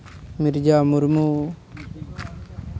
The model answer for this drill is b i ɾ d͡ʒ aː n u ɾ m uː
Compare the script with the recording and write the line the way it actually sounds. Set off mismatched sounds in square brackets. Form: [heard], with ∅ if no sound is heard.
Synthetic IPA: [m] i ɾ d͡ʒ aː [m] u ɾ m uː

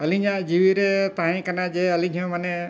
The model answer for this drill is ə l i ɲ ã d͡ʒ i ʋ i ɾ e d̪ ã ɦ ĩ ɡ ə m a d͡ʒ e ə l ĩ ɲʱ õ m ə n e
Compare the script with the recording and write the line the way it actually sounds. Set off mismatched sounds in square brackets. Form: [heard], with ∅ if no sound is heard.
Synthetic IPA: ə l i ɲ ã d͡ʒ i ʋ i ɾ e [t̪] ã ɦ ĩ [k] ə [n] a d͡ʒ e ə l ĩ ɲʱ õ m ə n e

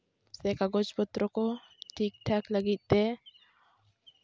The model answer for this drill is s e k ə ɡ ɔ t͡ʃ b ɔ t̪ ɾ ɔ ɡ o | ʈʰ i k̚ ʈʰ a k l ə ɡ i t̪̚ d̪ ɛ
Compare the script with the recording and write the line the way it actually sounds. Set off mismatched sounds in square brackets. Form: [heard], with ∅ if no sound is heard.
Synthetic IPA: s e k [a] ɡ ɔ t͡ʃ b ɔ t̪ ɾ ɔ [k] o | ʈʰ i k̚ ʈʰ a k l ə ɡ i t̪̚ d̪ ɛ

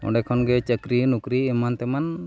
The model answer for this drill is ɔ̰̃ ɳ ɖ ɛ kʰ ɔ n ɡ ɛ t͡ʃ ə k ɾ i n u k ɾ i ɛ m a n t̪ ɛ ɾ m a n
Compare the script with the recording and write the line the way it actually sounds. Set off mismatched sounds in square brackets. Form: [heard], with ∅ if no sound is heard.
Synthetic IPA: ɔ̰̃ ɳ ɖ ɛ kʰ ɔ n ɡ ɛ t͡ʃ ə k ɾ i n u k ɾ i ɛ m a n t̪ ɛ [∅] m a n

